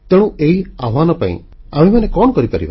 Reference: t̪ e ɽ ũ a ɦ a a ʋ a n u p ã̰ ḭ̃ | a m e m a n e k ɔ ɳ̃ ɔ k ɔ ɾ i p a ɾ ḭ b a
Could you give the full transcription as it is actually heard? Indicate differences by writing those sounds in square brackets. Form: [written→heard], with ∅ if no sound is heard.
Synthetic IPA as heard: t̪ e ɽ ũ [a→e] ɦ [a→i] a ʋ a n [u→ɔ] p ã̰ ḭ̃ | a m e m a n e k ɔ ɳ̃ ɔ k ɔ ɾ i p a ɾ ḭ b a